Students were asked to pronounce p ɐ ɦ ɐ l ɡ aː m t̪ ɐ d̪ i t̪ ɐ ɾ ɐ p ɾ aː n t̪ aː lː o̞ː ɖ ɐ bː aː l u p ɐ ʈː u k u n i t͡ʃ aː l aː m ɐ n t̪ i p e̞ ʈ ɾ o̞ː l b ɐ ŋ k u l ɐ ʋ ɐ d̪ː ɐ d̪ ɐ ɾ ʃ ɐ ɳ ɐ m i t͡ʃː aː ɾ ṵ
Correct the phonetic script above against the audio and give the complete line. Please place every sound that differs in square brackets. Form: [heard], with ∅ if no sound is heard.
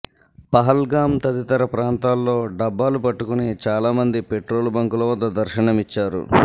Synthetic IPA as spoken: p ɐ ɦ ɐ l ɡ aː m t̪ ɐ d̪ i t̪ ɐ ɾ ɐ p ɾ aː n t̪ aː lː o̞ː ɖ ɐ bː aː l u p ɐ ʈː u k u n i t͡ʃ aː l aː m ɐ n [d̪] i p e̞ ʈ ɾ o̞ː l b ɐ ŋ k u l ɐ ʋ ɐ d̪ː ɐ d̪ ɐ ɾ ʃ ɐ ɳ ɐ m i t͡ʃː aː ɾ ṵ